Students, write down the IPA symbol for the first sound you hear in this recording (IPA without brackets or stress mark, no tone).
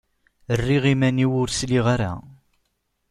ə